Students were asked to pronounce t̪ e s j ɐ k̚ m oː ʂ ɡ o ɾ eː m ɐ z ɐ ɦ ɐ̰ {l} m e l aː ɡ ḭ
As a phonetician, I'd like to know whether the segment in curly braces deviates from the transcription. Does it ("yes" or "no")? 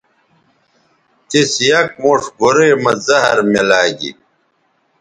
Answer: yes